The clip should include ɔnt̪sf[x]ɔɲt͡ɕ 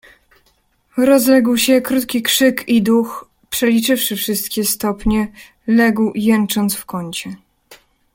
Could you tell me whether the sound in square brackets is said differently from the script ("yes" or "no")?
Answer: yes